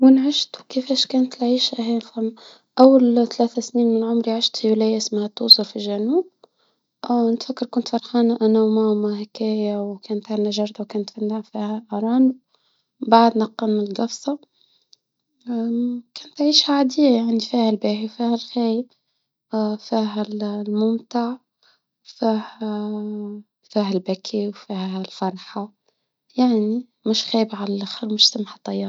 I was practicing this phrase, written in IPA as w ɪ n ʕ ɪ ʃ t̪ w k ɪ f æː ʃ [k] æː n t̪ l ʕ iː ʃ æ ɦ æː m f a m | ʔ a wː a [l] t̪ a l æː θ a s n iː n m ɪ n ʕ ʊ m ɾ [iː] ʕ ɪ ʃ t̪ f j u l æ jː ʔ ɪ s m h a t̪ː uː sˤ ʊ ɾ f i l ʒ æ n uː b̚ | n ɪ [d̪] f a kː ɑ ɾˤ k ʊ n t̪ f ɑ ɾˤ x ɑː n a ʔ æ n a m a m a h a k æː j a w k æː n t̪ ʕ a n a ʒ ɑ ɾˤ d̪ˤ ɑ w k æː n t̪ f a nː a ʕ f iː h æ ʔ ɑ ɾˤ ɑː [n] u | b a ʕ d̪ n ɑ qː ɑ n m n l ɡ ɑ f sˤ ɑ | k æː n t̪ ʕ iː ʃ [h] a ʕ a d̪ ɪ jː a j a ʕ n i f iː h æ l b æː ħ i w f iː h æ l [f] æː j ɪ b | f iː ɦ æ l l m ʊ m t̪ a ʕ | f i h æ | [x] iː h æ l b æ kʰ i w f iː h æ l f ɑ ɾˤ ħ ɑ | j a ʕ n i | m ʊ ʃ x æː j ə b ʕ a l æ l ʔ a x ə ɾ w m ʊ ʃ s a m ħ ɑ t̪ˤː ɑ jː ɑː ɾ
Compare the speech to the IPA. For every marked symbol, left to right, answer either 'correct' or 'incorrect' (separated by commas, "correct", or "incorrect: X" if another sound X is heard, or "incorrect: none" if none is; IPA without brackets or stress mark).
correct, correct, incorrect: i, incorrect: t̪, correct, correct, incorrect: x, incorrect: f